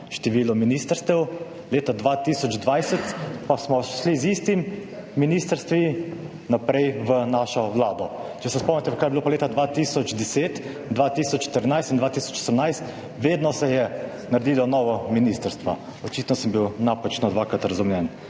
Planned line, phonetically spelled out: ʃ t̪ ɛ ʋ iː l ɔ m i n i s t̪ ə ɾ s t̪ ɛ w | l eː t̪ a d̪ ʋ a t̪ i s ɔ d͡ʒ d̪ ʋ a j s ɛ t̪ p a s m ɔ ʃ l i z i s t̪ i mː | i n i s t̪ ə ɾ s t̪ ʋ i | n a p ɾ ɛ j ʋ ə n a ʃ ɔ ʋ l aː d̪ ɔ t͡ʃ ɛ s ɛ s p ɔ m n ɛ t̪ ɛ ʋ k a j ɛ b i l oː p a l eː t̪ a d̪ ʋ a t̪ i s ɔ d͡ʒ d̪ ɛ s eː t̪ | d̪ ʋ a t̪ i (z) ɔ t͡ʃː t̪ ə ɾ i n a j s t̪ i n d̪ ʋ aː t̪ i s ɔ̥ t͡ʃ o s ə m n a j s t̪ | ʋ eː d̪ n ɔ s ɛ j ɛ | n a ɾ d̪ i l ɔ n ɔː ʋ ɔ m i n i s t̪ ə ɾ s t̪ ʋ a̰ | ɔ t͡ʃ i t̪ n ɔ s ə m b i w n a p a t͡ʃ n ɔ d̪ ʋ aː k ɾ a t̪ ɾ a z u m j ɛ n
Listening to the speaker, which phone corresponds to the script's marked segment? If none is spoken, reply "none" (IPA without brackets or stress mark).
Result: s